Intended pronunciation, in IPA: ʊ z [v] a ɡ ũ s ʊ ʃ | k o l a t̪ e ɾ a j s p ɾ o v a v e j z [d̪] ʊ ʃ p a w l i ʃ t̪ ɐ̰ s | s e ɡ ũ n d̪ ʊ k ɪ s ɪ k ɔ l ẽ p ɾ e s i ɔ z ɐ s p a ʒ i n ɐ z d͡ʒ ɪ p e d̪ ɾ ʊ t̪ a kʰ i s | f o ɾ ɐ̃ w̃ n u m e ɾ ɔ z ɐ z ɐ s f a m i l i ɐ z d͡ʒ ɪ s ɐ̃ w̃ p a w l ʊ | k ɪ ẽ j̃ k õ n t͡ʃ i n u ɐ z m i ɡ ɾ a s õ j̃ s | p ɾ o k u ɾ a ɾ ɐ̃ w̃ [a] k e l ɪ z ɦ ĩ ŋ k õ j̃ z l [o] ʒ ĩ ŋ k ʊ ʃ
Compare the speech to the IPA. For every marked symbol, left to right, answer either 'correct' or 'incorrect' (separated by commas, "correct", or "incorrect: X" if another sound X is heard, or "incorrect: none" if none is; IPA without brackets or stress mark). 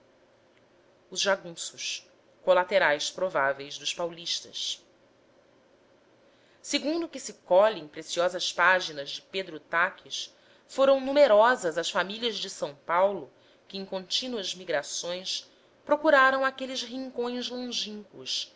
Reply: incorrect: ʒ, correct, correct, incorrect: õ